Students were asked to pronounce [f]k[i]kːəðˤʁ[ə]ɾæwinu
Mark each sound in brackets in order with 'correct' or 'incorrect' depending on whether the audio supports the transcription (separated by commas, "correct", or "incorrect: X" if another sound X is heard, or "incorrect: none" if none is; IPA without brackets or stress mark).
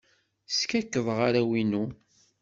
incorrect: s, incorrect: æ, incorrect: a